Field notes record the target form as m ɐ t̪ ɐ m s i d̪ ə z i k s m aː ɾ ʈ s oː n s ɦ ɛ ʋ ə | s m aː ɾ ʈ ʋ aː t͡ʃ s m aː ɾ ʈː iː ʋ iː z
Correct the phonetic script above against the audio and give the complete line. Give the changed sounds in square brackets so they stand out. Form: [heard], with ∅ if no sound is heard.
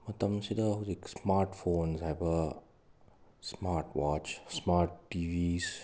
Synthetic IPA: m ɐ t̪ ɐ m s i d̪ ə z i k s m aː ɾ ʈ [f] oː n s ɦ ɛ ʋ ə | s m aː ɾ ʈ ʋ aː t͡ʃ s m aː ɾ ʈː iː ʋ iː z